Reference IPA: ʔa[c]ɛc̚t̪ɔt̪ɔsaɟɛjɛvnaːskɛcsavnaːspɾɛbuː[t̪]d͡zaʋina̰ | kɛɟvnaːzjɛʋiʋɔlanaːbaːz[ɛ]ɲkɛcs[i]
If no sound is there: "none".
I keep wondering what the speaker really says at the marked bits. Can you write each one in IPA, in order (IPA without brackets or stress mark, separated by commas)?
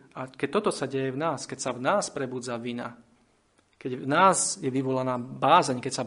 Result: k, none, ɛ, a